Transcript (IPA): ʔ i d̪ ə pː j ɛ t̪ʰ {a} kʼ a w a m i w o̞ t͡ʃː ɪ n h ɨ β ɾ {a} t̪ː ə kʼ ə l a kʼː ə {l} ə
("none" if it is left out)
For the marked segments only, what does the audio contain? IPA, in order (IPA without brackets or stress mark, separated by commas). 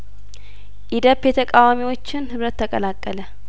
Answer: ə, ə, l